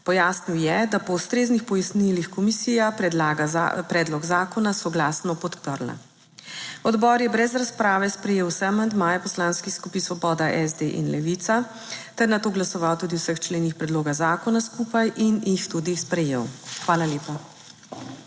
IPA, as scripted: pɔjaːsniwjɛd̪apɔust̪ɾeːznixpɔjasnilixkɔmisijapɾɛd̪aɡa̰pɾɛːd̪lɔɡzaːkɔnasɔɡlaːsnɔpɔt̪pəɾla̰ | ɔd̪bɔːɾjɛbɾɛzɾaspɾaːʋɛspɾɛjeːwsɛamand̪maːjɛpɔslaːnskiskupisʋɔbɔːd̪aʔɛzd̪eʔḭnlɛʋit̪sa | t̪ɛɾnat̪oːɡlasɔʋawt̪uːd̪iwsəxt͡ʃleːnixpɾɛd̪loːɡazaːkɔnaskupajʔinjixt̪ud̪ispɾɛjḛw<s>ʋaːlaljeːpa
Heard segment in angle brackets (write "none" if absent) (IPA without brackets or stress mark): x